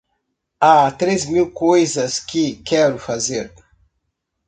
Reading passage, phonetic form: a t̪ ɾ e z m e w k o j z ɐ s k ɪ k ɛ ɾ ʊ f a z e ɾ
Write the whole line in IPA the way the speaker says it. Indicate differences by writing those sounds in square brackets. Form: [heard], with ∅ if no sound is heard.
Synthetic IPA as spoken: a t̪ ɾ e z m [i] w k o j z ɐ s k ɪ k ɛ ɾ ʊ f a z e ɾ